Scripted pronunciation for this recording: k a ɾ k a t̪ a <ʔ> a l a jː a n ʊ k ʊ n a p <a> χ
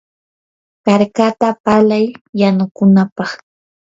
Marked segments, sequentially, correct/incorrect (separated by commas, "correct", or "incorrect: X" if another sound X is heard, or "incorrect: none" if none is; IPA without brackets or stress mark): incorrect: p, incorrect: ɑ